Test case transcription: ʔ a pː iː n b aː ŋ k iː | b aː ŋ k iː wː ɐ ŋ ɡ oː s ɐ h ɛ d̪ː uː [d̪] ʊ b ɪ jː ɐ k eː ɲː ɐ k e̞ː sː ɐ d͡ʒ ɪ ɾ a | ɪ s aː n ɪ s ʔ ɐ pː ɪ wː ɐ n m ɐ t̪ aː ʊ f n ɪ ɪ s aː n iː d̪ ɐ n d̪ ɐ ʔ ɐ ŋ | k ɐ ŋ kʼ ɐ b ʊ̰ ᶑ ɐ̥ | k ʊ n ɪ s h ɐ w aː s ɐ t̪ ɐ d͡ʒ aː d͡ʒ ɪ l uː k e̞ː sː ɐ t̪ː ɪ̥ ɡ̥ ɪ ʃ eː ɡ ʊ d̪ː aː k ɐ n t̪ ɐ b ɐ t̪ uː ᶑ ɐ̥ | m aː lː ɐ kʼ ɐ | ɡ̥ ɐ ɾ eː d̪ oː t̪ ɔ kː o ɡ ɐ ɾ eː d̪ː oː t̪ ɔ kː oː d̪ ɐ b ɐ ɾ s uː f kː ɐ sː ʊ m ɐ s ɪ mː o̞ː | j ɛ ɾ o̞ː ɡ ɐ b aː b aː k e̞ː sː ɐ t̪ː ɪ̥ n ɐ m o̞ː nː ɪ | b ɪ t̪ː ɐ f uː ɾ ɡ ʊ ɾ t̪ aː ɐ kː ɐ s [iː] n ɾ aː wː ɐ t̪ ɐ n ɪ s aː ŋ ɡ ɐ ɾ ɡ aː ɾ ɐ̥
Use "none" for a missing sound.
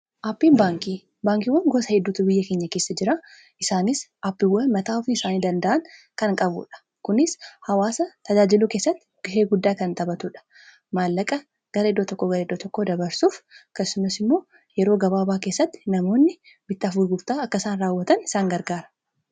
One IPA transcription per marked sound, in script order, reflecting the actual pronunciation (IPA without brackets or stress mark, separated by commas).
t̪, aː